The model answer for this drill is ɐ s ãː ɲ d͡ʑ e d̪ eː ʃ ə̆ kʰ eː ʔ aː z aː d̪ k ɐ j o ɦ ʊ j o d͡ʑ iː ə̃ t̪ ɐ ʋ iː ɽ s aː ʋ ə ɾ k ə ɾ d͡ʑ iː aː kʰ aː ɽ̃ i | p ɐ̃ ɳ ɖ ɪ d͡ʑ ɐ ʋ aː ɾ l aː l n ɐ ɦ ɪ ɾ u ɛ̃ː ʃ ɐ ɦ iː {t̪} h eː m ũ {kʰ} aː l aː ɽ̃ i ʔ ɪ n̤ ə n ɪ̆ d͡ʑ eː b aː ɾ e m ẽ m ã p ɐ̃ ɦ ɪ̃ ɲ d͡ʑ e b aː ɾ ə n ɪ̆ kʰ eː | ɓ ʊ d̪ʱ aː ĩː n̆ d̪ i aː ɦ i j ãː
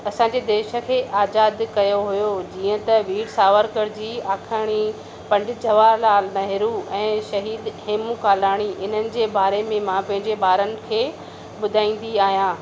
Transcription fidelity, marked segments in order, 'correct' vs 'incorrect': incorrect, incorrect

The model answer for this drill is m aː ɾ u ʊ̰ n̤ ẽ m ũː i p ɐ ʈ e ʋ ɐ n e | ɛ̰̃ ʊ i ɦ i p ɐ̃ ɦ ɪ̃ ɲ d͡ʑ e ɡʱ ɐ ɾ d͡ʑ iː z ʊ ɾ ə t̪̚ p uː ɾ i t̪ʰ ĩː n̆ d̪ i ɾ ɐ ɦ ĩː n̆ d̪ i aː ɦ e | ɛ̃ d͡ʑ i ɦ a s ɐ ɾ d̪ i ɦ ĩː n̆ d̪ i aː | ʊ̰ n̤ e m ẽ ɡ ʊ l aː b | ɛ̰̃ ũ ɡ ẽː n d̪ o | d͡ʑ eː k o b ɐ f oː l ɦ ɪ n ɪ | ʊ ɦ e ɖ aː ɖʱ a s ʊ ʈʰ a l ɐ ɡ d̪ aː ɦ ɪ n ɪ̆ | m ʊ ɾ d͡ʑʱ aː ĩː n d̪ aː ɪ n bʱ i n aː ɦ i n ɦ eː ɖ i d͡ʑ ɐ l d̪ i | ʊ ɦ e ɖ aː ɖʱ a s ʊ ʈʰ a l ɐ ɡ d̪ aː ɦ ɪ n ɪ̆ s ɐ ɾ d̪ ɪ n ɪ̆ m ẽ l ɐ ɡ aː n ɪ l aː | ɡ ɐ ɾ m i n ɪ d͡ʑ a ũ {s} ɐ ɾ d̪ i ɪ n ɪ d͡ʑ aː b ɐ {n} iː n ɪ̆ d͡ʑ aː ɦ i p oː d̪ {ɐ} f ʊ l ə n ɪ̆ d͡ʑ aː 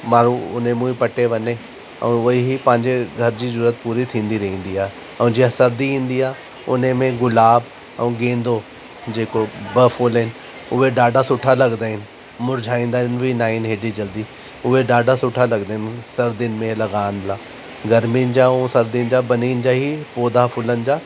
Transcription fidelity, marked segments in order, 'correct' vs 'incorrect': correct, correct, incorrect

